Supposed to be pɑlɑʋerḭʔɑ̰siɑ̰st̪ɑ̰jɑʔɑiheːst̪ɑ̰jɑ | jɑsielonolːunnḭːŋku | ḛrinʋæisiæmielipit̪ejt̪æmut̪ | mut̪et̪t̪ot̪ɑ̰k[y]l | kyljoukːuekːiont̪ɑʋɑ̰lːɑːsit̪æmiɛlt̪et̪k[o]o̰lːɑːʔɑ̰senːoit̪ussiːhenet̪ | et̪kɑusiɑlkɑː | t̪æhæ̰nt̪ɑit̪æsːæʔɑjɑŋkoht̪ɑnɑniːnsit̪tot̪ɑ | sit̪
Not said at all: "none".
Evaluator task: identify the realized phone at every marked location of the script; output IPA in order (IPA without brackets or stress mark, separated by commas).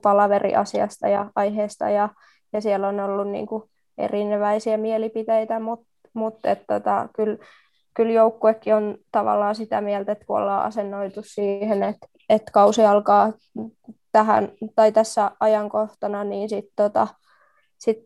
y, u